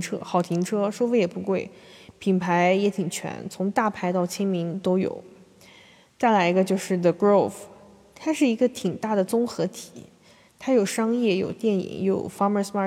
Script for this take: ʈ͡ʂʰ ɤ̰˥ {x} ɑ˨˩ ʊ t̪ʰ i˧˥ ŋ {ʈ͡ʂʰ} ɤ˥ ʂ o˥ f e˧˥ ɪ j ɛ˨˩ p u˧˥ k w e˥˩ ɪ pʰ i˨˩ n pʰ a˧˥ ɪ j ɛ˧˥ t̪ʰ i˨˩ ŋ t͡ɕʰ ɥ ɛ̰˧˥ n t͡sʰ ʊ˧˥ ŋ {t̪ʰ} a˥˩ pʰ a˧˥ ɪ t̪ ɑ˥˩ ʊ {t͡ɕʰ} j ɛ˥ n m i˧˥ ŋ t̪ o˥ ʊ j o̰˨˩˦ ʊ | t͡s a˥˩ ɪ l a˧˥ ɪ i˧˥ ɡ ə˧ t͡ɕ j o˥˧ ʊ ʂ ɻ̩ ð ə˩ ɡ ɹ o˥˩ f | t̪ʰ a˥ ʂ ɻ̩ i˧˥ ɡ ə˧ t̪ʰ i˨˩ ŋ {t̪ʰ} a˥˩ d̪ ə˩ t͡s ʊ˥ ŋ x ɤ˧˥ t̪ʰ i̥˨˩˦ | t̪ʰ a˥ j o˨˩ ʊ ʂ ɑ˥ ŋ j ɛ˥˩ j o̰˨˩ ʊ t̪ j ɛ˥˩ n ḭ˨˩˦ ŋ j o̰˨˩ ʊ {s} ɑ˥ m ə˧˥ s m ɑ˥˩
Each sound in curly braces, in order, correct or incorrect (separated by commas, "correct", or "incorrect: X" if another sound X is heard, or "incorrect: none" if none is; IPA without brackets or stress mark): correct, correct, incorrect: t̪, correct, incorrect: t̪, incorrect: f